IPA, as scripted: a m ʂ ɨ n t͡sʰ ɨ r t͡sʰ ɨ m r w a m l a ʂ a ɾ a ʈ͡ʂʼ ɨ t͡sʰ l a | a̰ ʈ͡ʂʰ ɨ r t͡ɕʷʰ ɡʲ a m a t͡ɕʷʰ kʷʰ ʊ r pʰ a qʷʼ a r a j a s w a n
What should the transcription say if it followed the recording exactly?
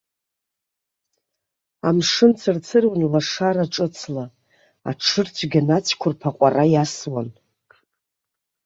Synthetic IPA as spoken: a m ʂ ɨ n t͡sʰ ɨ r t͡sʰ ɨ r w a n l a ʂ a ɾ a ʈ͡ʂʼ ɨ t͡sʰ l a | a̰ ʈ͡ʂʰ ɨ r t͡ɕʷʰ ɡʲ a n a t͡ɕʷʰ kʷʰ ʊ r pʰ a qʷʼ a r a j a s w a n